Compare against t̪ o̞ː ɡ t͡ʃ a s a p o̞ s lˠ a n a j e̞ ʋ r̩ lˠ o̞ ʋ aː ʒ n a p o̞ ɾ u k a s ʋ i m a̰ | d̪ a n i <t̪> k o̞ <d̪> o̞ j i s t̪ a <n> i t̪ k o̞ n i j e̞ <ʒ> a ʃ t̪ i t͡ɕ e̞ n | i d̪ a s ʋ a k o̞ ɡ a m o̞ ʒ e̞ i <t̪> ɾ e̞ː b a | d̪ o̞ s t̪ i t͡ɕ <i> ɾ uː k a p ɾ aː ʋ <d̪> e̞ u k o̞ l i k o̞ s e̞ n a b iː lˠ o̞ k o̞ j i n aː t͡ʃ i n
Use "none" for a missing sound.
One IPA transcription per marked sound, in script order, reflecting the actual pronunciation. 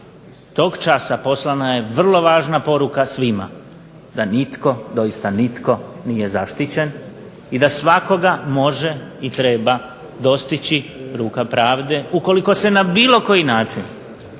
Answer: t̪, d̪, n, z, t̪, i, d̪

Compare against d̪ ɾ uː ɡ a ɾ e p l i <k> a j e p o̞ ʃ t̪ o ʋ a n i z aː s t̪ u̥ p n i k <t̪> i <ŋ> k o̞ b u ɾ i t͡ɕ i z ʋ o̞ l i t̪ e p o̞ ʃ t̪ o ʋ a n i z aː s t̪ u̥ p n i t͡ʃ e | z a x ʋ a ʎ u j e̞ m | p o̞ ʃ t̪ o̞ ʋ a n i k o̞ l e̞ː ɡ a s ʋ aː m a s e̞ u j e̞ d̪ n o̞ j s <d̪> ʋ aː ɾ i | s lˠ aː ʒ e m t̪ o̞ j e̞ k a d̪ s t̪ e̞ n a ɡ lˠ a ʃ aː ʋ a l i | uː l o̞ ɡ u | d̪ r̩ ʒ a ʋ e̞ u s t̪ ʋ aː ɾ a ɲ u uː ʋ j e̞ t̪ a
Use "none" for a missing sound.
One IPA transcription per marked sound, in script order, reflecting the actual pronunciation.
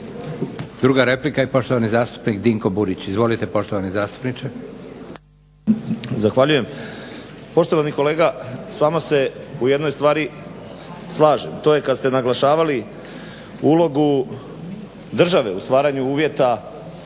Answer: k, d̪, ŋ, t̪

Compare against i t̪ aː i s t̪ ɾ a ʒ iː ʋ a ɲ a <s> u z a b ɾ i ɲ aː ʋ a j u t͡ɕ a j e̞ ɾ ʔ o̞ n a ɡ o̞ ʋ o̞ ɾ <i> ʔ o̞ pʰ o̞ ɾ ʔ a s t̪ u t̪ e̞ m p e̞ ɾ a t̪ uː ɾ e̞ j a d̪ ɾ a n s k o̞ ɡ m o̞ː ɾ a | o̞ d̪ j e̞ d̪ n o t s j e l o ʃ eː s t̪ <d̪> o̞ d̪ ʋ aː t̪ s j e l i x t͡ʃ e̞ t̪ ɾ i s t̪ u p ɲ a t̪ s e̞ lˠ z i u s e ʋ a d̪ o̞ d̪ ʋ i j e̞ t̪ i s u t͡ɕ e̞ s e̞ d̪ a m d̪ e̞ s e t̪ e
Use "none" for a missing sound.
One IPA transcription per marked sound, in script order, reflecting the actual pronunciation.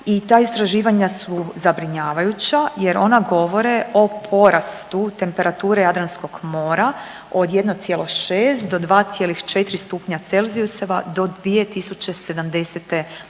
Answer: s, e, d̪

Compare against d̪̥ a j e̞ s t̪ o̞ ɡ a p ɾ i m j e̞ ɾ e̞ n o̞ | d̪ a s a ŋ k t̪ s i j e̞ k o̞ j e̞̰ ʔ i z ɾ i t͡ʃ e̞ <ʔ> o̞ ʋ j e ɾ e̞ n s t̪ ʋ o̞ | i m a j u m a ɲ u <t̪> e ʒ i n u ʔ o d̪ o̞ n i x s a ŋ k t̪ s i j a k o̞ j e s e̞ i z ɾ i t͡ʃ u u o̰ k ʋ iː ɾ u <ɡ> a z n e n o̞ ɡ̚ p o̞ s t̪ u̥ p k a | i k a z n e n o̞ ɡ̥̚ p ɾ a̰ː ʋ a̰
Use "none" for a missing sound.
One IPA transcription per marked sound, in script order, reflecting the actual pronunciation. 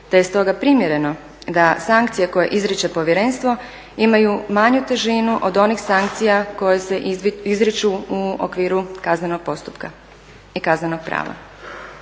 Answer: p, t̪, k

